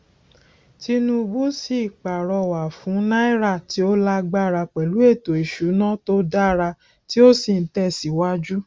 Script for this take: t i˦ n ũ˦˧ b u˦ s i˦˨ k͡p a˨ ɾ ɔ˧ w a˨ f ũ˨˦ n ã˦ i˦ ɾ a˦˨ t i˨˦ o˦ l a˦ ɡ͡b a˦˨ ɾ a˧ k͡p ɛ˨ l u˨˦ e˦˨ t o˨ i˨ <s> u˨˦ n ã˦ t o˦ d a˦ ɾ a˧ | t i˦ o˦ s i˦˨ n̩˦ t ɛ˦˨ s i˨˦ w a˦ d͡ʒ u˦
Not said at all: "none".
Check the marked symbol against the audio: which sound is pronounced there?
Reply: ʃ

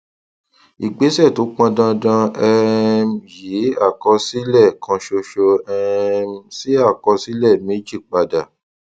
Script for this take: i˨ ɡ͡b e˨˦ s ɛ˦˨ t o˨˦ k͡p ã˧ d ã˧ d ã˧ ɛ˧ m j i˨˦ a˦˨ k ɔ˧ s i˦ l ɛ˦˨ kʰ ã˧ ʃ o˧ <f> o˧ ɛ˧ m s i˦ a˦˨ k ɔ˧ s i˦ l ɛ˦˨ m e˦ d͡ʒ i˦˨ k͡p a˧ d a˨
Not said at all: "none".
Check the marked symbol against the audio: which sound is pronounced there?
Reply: ʃ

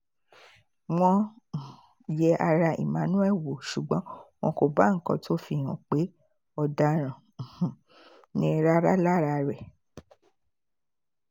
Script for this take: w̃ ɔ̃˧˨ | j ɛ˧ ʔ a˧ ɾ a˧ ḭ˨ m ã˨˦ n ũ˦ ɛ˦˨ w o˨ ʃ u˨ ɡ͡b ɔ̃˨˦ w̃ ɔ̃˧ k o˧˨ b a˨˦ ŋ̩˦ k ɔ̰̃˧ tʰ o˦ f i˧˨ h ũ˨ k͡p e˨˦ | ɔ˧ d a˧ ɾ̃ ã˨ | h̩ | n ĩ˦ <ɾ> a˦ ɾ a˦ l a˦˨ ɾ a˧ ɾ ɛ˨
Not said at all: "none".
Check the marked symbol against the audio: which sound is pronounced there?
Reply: ɾ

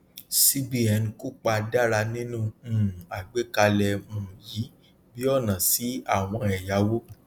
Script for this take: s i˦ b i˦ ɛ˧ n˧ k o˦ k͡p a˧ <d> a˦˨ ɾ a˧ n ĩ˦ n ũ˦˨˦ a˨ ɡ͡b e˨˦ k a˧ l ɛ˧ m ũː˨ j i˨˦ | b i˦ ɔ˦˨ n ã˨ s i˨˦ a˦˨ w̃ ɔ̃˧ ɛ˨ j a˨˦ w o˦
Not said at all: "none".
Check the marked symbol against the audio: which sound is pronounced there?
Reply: d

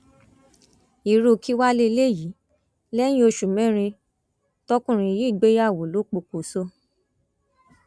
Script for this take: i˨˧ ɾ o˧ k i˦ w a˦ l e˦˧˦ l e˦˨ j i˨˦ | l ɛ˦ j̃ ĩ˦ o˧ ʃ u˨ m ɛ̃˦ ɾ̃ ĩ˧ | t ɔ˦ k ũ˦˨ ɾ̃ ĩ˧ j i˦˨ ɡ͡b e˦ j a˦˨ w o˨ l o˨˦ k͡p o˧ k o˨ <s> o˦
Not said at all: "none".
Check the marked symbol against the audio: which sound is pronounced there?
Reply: s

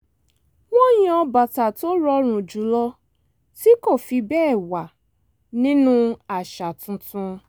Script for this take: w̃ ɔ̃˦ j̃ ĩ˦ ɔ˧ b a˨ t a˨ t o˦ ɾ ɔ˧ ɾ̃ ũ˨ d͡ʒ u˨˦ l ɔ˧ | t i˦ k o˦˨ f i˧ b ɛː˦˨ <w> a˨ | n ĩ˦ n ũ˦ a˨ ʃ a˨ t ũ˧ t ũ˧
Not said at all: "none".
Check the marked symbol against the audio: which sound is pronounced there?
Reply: w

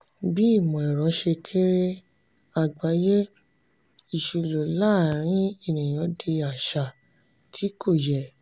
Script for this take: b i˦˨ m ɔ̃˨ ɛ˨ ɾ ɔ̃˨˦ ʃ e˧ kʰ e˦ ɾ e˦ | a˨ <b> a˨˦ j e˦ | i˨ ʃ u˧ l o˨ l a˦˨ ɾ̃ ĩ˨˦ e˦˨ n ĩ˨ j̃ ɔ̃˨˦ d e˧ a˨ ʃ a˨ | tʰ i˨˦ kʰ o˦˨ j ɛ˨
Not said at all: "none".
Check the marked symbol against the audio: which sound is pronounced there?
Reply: ɡ͡b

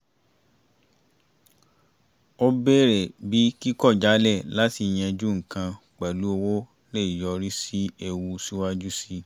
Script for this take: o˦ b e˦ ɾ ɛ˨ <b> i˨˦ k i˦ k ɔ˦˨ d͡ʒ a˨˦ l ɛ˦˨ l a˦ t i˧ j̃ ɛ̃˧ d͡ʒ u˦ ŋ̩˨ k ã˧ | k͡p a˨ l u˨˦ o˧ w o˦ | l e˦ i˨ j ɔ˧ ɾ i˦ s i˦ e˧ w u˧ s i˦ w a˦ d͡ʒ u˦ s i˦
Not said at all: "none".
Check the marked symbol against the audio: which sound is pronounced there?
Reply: b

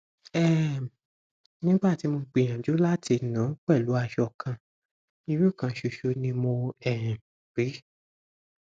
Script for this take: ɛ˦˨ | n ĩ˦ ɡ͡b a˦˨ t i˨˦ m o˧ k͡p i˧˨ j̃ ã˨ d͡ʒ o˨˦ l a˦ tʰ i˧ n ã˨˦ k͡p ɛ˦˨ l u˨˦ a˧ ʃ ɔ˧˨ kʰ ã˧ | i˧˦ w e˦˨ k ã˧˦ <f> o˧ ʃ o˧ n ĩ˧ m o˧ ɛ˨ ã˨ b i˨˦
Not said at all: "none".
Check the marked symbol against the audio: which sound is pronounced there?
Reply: ʃ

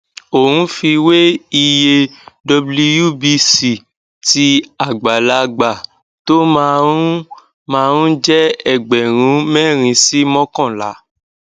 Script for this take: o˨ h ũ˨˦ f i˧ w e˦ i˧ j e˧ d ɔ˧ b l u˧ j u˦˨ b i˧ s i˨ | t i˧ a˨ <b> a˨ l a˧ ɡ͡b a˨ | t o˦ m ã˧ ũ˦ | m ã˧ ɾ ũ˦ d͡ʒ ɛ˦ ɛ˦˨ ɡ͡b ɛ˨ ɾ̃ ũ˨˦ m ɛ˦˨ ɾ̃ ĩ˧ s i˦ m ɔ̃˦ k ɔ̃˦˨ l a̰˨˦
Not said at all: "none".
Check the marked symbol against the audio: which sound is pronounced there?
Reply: ɡ͡b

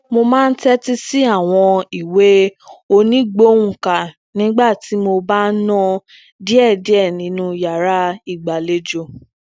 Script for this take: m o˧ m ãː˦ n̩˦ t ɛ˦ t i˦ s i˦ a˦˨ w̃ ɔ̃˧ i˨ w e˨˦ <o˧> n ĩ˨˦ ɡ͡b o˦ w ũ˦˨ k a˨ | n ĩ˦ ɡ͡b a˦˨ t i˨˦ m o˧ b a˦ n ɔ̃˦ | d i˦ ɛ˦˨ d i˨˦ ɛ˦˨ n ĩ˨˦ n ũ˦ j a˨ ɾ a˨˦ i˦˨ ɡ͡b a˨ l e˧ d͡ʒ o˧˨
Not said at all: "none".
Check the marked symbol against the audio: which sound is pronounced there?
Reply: o˧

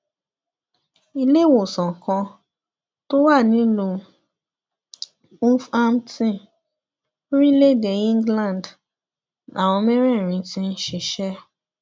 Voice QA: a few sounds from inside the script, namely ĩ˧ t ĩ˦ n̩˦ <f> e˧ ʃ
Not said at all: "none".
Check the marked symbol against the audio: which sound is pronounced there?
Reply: ʃ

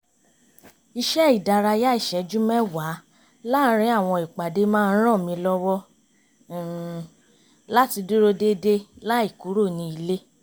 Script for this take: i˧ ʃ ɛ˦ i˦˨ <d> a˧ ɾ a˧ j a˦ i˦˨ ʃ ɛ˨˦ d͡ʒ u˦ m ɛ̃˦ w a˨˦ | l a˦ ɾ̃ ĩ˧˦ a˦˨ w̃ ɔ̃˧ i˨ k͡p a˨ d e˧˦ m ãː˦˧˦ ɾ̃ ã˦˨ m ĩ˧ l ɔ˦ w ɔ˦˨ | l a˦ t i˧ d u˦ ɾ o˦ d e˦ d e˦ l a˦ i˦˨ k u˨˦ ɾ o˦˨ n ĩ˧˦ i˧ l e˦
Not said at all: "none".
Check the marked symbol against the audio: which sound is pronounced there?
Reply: d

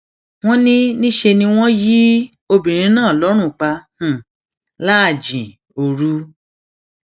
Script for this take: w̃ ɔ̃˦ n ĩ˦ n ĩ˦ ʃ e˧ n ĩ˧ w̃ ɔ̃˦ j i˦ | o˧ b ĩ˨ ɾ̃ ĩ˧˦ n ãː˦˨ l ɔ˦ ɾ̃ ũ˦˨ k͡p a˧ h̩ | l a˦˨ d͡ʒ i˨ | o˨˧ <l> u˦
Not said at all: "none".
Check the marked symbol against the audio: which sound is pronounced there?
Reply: ɾ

